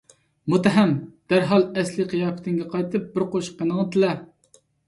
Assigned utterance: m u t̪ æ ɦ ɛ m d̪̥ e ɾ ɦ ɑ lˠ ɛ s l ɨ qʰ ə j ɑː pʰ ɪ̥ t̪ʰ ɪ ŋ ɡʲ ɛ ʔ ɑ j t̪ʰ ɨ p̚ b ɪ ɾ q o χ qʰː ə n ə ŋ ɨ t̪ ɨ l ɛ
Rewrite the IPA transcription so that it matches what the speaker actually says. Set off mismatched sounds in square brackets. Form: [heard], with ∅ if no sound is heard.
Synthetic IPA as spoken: m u t̪ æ ɦ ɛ m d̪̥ [æ] ɾ ɦ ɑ lˠ ɛ s l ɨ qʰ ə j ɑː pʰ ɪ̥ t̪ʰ ɪ ŋ ɡʲ ɛ [q] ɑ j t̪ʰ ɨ p̚ b ɪ ɾ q o [ʃ] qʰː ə n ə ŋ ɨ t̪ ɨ l ɛ